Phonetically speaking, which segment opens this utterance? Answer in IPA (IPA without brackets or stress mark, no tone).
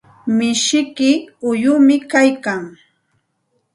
m